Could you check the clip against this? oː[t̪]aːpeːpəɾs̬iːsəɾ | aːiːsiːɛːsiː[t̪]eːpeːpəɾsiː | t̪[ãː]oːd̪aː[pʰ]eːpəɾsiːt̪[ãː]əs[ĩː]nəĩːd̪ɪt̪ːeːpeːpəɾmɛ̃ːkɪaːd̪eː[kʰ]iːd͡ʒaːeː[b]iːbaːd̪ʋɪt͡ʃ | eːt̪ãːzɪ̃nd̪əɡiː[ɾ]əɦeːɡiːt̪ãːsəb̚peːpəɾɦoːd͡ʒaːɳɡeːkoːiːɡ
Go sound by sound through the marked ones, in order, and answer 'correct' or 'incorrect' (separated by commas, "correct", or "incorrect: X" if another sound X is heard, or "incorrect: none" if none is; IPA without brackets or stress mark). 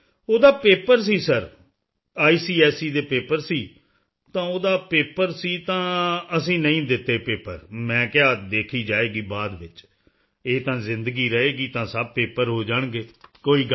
incorrect: d̪, incorrect: d̪, correct, incorrect: p, correct, correct, correct, incorrect: ɡ, correct